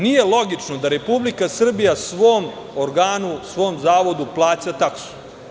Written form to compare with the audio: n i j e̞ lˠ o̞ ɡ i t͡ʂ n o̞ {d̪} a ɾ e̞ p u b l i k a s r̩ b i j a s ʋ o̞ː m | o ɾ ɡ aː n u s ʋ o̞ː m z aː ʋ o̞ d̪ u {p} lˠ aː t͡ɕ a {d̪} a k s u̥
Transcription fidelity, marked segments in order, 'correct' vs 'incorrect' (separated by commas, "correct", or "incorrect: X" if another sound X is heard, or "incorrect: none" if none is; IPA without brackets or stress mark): correct, correct, incorrect: t̪